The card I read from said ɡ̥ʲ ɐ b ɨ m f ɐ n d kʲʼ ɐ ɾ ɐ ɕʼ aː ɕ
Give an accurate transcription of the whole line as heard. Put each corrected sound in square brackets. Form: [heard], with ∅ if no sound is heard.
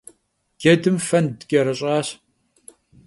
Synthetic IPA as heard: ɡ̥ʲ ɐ [d] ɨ m f ɐ n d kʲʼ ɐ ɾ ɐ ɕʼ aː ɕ

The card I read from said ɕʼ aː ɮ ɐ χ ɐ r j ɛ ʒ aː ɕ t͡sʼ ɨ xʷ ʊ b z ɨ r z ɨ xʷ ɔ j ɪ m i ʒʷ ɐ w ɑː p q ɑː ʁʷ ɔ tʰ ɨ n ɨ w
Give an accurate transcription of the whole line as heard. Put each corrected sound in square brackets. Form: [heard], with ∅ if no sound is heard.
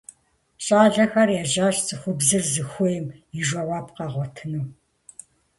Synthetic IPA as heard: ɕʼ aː ɮ ɐ [x] ɐ r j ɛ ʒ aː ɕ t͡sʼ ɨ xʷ ʊ b z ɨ r z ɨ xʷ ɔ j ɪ m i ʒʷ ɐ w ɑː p q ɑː ʁʷ ɔ tʰ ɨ n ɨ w

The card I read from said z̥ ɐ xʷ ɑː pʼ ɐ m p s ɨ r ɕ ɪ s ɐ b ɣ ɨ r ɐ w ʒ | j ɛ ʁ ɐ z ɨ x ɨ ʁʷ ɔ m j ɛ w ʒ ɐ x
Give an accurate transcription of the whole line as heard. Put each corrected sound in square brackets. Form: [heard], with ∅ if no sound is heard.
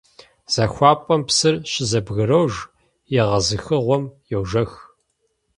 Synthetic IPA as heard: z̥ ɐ xʷ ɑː pʼ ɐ m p s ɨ r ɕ ɪ [z] ɐ b ɣ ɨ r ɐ w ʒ | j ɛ ʁ ɐ z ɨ x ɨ ʁʷ ɔ m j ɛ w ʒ ɐ x

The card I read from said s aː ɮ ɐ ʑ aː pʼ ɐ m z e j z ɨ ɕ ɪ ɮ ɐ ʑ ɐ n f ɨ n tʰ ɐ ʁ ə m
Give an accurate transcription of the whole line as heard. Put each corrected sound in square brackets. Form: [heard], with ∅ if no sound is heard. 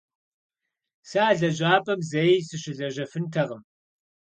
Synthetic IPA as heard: s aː ɮ ɐ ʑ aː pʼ ɐ m z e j [s] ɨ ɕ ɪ ɮ ɐ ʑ ɐ [∅] f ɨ n tʰ ɐ ʁ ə m

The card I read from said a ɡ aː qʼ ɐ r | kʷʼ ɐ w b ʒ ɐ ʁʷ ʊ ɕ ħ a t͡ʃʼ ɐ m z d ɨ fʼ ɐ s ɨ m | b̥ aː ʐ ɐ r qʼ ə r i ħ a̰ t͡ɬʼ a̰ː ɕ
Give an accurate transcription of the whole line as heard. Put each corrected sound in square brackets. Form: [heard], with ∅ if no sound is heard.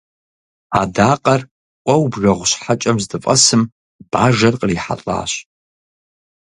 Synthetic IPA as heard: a [d] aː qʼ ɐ r | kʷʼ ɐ w b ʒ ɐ ʁʷ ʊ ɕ ħ a t͡ʃʼ ɐ m z d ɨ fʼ ɐ s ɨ m | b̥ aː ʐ ɐ r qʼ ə r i ħ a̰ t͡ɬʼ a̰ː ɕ

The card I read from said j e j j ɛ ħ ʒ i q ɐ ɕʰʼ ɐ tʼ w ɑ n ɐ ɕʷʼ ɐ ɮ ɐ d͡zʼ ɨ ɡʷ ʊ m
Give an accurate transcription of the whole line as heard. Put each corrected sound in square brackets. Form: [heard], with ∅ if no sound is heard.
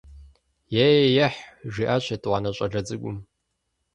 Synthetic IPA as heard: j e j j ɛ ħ ʒ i [ʔ] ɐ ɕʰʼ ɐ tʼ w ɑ n ɐ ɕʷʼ ɐ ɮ ɐ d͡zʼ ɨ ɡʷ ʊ m

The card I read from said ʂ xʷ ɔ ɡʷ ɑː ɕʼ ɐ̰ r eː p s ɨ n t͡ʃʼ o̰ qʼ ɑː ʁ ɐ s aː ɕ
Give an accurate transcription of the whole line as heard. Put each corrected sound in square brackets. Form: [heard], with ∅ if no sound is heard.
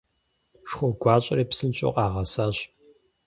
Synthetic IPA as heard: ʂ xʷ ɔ ɡʷ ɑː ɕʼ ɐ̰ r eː p s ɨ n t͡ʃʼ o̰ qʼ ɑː ʁ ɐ s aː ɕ

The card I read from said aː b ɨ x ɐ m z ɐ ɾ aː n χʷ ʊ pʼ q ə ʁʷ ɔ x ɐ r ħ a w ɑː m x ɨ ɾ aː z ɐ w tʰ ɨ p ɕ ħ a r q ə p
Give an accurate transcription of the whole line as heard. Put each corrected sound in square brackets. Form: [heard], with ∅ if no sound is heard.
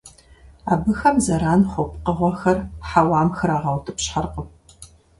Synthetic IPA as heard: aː b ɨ x ɐ m z ɐ ɾ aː n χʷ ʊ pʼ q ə ʁʷ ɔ x ɐ r ħ a w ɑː m x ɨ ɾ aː [ʁ] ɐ w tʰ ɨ p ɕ ħ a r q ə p

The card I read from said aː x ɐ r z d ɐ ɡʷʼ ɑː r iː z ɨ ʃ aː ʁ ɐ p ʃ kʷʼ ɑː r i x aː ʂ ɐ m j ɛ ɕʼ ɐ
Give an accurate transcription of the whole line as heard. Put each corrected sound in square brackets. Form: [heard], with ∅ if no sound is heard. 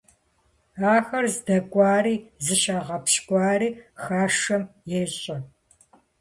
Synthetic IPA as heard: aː x ɐ r z d ɐ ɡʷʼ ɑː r iː z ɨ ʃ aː ʁ ɐ p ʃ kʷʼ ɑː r [iː] x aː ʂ ɐ m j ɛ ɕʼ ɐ

